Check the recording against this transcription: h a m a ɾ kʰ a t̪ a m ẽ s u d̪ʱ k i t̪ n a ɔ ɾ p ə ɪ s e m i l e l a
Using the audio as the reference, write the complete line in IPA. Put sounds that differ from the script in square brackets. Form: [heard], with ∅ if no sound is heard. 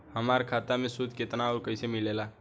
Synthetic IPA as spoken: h [ə] m a ɾ kʰ a t̪ a m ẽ s u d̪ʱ k [e] t̪ n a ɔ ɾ [k] ə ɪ s e m i l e l a

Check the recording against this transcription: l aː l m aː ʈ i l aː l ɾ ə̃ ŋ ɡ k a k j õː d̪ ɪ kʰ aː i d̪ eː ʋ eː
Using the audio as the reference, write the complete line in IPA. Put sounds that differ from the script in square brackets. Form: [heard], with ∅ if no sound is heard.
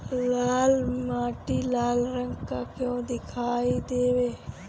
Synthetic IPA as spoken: l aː l m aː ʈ i l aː l ɾ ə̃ ŋ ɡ k a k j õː d̪ ɪ kʰ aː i d̪ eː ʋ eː

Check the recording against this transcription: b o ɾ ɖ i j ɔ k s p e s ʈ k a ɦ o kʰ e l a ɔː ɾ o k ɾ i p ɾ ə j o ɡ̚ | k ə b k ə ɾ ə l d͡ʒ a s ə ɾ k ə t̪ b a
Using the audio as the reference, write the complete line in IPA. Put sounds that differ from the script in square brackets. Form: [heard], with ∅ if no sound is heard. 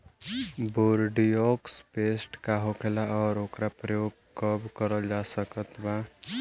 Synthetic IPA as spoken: b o ɾ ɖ i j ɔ k s p e s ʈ k a ɦ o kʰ e l a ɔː ɾ o k ɾ [a] p ɾ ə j o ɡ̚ | k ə b k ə ɾ ə l d͡ʒ a s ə [∅] k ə t̪ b a

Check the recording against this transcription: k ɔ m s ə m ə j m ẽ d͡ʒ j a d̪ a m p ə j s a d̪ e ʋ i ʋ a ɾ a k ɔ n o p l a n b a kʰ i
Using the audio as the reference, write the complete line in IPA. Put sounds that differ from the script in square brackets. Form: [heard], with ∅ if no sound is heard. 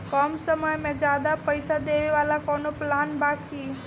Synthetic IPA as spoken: k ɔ m s ə m ə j m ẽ d͡ʒ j a d̪ a [∅] p ə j s a d̪ e ʋ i ʋ a [l] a k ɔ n o p l a n b a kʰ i

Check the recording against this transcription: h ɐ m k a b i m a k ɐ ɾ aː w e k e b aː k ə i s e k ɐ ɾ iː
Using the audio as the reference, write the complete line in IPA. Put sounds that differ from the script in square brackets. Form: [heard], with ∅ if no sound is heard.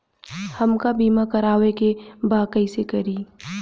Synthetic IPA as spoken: h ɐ m k a b [iː] m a k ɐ ɾ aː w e k e b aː k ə i s e k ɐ ɾ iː

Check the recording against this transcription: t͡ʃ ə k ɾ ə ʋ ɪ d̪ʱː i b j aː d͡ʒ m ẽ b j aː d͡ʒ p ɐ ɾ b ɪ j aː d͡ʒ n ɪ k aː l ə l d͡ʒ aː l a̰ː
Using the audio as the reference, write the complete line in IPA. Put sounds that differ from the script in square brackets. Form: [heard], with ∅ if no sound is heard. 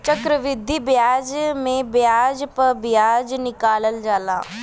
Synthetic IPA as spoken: t͡ʃ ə k ɾ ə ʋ ɪ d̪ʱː i b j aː d͡ʒ m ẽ b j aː d͡ʒ p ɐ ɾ b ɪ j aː d͡ʒ n ɪ k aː l ə l d͡ʒ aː l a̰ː

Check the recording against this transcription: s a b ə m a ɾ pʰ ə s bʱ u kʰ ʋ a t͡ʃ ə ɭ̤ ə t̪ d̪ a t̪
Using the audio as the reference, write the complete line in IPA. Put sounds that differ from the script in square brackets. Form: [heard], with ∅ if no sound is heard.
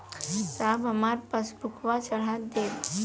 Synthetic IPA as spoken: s a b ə m a ɾ [p] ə s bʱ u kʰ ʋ a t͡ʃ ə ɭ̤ [a] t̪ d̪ [e] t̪

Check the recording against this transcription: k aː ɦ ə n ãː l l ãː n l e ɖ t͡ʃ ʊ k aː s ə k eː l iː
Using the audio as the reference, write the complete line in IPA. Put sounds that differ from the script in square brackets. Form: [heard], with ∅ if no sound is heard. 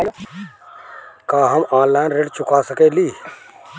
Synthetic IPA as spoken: k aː ɦ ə [m] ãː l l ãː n [ɾ] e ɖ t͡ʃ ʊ k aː s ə k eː l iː

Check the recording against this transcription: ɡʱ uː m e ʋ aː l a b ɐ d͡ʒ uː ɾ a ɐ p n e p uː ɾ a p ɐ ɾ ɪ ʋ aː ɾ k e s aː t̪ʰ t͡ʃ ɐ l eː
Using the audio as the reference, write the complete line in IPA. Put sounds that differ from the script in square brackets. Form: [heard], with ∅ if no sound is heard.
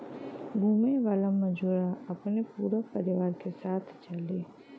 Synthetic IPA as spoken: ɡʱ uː m e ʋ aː l a [m] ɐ d͡ʒ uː ɾ a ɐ p n e p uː ɾ a p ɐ ɾ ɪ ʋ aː ɾ k e s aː t̪ʰ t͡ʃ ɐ l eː

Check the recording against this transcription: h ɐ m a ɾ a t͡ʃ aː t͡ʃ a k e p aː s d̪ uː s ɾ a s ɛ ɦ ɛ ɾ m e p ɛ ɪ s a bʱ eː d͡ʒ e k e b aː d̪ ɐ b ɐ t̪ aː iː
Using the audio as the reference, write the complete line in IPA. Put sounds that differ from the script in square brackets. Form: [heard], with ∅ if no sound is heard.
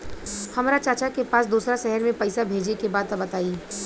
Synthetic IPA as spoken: h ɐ m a ɾ a t͡ʃ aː t͡ʃ a k e p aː s d̪ uː s ɾ a [ʃ] ɛ ɦ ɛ ɾ m [ẽ] p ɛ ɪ s a bʱ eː d͡ʒ e k e b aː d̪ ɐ b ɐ t̪ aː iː

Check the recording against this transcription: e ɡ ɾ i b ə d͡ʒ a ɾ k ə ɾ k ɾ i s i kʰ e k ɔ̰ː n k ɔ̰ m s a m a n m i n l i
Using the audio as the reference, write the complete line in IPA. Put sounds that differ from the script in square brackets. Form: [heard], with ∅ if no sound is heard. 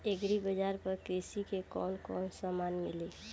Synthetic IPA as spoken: e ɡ ɾ i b ə d͡ʒ a ɾ [p] ə ɾ k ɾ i s i [k] e k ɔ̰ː n k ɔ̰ [n] s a m a n m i [∅] l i

